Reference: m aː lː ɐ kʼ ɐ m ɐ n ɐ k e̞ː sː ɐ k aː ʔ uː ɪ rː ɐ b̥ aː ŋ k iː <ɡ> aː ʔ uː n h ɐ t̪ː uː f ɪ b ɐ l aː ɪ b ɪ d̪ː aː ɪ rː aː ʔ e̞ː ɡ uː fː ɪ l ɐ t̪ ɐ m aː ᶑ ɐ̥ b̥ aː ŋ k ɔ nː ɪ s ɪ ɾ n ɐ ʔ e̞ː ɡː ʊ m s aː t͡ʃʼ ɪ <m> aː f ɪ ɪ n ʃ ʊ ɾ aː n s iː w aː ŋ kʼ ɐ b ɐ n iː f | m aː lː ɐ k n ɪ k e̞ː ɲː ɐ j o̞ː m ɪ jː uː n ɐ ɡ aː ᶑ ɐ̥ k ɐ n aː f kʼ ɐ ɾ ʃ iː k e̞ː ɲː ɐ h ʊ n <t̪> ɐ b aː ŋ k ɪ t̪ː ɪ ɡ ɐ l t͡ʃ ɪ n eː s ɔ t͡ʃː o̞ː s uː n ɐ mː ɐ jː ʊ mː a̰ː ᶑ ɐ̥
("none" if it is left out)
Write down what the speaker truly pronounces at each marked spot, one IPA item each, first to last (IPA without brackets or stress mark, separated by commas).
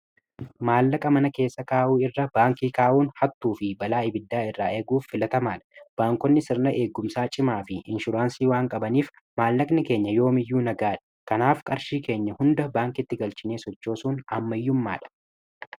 k, m, d̪